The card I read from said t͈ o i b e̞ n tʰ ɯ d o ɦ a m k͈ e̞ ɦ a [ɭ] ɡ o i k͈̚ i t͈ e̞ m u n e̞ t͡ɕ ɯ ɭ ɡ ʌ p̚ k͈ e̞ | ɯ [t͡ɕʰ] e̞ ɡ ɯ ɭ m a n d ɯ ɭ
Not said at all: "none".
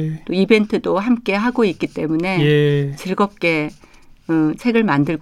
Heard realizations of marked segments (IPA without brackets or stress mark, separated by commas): none, t͡ɕʰ